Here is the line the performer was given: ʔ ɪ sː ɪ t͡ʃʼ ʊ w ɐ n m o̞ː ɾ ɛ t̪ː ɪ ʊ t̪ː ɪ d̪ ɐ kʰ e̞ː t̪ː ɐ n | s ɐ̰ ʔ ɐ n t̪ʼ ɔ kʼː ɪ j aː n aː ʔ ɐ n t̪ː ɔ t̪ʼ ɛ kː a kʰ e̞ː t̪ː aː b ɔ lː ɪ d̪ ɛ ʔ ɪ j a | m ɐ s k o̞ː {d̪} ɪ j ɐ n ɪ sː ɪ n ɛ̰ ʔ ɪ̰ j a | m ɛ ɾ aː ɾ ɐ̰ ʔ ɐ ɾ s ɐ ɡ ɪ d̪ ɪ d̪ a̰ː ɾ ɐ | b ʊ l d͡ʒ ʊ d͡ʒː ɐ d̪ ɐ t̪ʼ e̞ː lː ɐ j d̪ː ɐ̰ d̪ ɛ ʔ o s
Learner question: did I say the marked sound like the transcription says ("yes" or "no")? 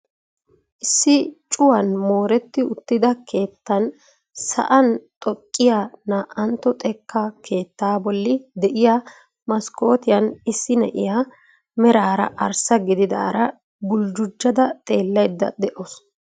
no